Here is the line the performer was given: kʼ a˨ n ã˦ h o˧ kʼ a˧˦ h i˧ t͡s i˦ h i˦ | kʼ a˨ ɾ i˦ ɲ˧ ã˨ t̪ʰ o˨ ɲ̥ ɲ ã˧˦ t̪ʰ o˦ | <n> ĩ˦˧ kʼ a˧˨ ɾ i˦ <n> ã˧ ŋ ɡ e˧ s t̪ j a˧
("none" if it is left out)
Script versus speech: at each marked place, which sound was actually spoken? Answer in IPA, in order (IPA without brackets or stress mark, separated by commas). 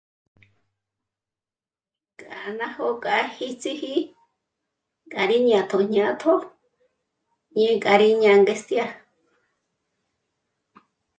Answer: ɲ, ɲ